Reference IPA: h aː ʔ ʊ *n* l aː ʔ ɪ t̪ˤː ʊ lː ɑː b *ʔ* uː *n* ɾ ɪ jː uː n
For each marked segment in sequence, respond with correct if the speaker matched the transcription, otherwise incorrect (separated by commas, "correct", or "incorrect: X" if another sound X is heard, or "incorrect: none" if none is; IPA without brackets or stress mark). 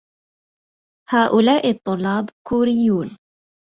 incorrect: none, incorrect: k, incorrect: none